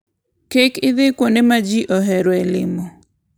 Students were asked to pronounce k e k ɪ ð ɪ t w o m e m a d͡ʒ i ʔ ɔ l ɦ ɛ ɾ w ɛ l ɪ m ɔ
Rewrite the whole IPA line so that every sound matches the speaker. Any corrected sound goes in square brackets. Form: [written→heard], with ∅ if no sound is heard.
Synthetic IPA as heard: k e k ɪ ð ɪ [t→k] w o [m→n] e m a d͡ʒ i ʔ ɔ [l→∅] ɦ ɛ ɾ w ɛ l ɪ m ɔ